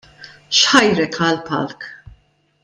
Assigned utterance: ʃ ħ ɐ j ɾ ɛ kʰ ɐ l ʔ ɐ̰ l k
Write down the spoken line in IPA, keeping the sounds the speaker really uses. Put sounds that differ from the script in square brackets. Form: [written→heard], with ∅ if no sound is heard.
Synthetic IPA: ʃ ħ ɐ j ɾ ɛ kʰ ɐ l [ʔ→p] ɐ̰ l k